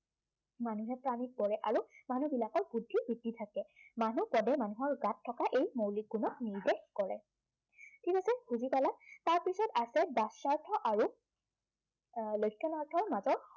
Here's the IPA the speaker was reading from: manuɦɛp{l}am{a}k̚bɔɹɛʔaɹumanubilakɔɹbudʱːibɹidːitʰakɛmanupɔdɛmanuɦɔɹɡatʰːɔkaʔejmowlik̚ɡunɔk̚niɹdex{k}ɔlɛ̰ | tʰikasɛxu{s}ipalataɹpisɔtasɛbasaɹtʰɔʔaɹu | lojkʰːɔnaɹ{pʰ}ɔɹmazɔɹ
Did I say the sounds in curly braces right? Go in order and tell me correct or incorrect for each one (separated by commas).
incorrect, incorrect, correct, incorrect, incorrect